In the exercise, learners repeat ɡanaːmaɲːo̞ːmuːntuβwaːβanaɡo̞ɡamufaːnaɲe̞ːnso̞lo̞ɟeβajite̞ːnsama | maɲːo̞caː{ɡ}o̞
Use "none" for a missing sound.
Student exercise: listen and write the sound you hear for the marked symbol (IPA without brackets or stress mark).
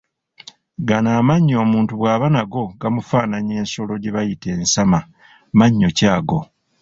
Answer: ɡ